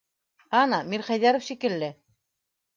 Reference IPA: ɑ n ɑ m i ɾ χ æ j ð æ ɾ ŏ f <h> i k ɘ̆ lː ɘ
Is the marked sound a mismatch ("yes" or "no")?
yes